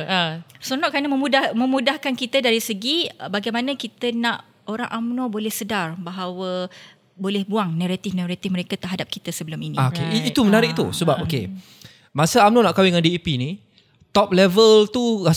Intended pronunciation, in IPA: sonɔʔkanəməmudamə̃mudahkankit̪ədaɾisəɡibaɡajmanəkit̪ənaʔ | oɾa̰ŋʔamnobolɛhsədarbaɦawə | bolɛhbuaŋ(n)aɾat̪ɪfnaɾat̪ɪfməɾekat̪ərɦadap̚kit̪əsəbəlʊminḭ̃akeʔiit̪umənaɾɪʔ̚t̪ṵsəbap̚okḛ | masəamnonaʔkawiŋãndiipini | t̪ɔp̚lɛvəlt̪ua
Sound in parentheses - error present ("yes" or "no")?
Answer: no